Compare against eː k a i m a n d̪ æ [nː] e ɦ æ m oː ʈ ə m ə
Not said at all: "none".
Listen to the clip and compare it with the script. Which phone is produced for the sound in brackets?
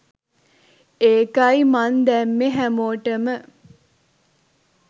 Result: mː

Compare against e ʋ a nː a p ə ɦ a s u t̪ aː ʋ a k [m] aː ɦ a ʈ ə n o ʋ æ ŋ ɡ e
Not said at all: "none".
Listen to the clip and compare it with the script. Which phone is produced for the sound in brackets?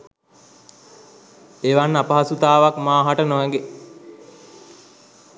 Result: m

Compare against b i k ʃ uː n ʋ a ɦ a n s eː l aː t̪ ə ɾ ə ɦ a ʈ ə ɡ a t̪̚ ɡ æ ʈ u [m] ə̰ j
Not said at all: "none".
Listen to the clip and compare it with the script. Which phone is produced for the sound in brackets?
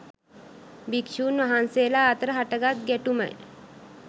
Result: m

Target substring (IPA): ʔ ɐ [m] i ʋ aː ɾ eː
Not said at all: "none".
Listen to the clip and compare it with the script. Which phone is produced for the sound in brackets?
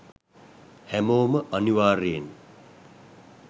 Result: n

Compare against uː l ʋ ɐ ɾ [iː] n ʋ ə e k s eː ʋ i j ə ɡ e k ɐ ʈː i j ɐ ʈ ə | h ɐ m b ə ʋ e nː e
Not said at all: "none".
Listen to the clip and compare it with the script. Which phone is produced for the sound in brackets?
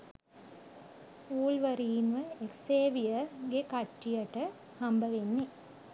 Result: iː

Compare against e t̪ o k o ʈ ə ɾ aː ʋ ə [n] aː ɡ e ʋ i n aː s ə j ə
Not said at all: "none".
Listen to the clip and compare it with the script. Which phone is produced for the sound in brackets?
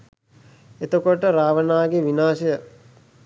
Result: n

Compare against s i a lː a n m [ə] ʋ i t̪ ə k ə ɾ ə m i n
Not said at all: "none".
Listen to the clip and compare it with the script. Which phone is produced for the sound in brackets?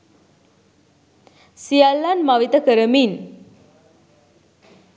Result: a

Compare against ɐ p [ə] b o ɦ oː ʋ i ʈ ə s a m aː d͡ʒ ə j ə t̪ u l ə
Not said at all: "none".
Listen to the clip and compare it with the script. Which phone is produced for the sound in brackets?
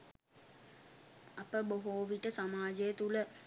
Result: ə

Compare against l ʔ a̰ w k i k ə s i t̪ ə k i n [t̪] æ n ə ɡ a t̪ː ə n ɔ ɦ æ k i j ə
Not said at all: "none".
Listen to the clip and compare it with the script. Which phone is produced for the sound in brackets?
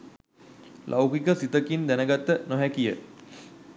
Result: d̪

